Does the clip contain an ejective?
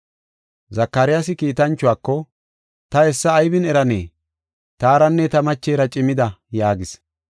yes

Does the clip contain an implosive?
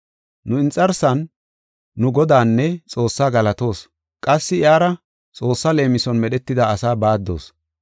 yes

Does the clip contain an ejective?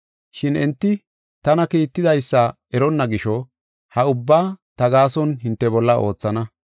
no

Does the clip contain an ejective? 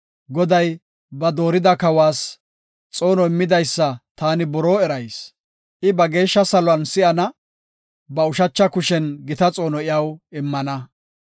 yes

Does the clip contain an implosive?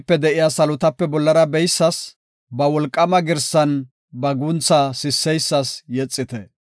no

